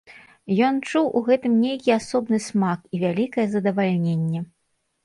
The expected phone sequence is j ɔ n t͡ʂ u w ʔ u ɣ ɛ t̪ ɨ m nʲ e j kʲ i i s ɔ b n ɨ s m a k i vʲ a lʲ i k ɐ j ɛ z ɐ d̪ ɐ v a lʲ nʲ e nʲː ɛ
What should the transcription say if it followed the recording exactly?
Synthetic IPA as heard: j ɔ n t͡ʂ u w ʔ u ɣ ɛ t̪ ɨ m nʲ e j kʲ i a s ɔ b n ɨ s m a k i vʲ a lʲ i k ɐ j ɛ z ɐ d̪ ɐ v a lʲ nʲ e nʲː ɛ